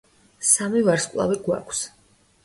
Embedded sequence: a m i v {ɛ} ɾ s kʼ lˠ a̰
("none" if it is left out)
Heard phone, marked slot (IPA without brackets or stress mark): a